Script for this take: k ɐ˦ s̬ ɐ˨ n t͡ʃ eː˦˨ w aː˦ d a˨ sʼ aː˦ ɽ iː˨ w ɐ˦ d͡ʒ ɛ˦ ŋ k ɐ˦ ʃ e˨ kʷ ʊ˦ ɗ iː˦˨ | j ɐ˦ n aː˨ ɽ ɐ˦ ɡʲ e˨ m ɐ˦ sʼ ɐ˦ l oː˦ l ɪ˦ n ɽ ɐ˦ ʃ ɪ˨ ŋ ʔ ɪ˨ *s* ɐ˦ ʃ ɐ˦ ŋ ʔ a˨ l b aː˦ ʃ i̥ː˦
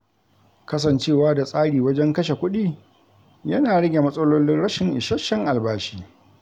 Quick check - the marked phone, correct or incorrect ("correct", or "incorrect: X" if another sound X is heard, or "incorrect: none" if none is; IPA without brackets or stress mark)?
incorrect: ʃ